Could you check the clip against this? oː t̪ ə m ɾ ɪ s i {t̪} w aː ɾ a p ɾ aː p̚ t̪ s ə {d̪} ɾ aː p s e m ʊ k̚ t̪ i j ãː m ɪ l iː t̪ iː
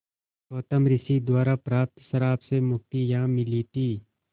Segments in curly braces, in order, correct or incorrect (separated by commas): incorrect, incorrect